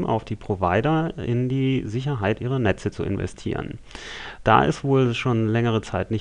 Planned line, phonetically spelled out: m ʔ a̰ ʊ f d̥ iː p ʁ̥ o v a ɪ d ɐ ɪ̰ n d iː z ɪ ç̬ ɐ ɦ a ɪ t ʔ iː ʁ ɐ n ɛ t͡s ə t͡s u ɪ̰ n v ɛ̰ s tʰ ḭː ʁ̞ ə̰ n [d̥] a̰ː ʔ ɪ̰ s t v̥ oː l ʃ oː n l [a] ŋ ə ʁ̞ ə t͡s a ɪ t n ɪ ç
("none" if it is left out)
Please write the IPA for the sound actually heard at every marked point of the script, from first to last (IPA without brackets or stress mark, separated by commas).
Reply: d̥, ɛ